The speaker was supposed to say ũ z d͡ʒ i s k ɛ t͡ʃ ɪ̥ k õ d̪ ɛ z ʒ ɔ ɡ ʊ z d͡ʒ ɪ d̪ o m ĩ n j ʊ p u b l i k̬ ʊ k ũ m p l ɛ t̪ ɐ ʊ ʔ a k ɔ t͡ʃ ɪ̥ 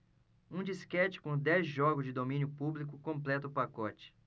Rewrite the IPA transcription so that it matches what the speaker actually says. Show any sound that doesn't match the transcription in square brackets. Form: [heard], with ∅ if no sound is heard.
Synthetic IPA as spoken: ũ [∅] d͡ʒ i s k ɛ t͡ʃ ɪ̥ k õ d̪ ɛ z ʒ ɔ ɡ ʊ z d͡ʒ ɪ d̪ o m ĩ n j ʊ p u b l i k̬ ʊ k [õ] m p l ɛ t̪ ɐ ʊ [p] a k ɔ t͡ʃ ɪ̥